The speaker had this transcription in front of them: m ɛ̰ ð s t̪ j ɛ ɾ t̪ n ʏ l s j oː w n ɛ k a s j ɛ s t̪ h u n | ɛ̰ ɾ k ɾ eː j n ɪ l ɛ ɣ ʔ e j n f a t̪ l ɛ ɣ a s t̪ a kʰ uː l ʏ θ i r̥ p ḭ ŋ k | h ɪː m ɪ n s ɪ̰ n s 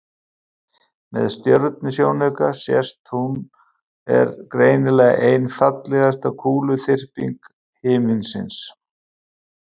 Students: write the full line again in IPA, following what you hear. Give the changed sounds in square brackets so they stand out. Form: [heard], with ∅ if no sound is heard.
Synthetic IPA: m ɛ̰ ð s t̪ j [œ] ɾ t̪ n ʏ [∅] s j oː w n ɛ k a s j ɛ s t̪ h u n | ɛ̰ ɾ k ɾ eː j n ɪ l ɛ ɣ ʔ e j n f a t̪ l ɛ ɣ a s t̪ a kʰ uː l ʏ θ [ɪ] r̥ p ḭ ŋ k | h ɪː m ɪ n s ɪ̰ n s